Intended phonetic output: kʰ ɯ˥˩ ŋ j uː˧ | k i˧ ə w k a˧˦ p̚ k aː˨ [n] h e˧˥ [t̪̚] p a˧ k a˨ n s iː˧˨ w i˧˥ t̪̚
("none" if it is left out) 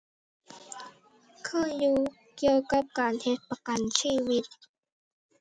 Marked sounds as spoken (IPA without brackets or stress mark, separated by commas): n, t̪̚